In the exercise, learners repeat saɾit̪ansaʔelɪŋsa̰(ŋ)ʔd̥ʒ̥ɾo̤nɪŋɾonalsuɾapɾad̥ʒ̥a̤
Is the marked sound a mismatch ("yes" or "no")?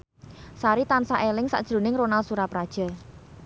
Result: yes